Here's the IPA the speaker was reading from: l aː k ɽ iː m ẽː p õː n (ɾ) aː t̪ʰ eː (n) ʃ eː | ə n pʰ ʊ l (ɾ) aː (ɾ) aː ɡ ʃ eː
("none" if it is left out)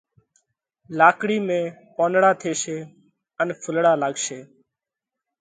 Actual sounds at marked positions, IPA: ɽ, none, ɽ, l

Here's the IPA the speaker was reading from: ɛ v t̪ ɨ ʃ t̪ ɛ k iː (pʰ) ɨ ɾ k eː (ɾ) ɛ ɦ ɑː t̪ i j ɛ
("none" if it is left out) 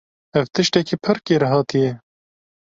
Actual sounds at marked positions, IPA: pʰ, ɾ

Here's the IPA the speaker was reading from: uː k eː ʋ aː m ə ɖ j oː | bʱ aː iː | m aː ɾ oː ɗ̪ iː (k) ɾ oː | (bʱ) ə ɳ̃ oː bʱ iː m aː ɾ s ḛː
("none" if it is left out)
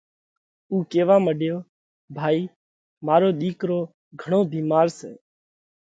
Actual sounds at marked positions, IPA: k, ɡʱ

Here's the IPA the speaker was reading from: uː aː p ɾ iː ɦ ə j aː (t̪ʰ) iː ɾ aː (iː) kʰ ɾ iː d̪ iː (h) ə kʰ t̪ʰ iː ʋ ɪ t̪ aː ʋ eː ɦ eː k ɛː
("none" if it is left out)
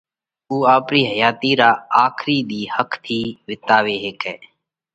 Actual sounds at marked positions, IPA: t̪, aː, h

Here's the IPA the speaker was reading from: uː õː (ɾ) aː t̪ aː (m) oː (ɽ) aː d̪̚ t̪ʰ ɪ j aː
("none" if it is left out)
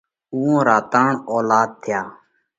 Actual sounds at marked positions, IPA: ɾ, ɳ, l

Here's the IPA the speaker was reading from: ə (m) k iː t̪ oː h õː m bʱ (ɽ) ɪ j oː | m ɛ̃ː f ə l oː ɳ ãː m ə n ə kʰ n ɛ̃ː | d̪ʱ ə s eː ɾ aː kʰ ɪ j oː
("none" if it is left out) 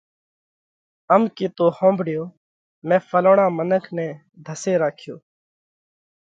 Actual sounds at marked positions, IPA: m, ɽ

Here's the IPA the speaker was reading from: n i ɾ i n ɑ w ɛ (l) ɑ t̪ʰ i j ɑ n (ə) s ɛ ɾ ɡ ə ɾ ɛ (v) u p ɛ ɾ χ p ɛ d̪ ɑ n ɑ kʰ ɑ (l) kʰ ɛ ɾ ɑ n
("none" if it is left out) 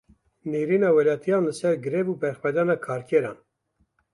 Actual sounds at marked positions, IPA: l, ə, v, ɾ

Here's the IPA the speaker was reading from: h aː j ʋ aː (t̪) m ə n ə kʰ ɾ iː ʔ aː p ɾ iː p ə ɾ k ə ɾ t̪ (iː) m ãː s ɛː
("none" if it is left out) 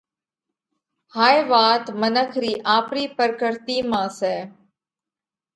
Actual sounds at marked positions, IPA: t̪, iː

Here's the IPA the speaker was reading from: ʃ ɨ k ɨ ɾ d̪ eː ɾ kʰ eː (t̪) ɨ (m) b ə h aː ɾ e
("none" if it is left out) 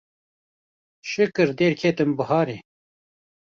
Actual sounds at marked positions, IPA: t̪, m

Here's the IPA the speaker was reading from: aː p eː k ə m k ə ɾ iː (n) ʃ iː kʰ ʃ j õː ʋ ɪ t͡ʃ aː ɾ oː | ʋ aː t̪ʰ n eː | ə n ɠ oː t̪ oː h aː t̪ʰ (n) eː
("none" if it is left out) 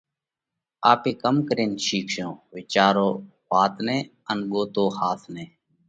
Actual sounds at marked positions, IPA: n, n

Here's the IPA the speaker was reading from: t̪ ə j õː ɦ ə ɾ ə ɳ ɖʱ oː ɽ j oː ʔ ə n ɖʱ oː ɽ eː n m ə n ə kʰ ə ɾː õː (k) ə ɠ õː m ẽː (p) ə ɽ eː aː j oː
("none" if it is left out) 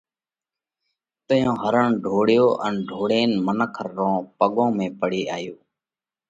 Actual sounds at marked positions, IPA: p, p

